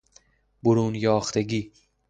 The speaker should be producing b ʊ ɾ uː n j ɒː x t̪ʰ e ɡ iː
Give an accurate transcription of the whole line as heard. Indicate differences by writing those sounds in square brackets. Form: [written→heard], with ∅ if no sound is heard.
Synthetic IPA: b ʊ ɾ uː n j ɒː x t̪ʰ e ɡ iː